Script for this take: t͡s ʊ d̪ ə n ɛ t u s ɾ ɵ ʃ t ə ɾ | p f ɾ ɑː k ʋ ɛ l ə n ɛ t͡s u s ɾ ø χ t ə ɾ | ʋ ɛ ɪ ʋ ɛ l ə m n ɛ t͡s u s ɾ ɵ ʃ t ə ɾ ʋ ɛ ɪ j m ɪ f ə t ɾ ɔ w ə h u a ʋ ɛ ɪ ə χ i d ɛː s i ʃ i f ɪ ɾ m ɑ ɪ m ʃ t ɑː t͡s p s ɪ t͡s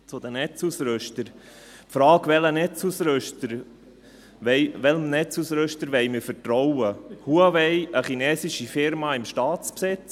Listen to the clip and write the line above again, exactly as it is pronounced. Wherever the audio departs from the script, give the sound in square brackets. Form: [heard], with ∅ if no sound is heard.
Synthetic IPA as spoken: t͡s ʊ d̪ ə n ɛ [t͡s] u s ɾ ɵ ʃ t ə ɾ | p f ɾ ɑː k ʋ ɛ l ə n ɛ t͡s u s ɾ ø [ʃ] t ə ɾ | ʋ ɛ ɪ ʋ ɛ l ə m n ɛ t͡s u s ɾ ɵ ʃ t ə ɾ ʋ ɛ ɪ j m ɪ f ə t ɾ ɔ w ə h u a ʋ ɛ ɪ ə χ i [n] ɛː s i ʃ i f ɪ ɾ m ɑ ɪ m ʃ t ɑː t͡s p s ɪ t͡s